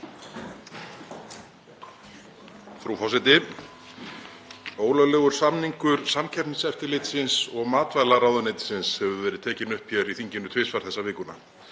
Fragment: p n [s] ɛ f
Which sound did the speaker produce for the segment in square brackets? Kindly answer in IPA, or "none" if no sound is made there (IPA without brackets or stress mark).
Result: s